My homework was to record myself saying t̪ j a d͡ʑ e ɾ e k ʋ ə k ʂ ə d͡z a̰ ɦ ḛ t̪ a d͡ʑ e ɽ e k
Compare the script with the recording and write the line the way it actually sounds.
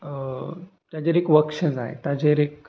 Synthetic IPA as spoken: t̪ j a d͡ʑ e ɾ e k ʋ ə k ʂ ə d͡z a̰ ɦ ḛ t̪ a d͡ʑ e ɾ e k